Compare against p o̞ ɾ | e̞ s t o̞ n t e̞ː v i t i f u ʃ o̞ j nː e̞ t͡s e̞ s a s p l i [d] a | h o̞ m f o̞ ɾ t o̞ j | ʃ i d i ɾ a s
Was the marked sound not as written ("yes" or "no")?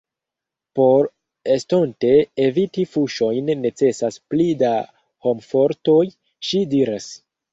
no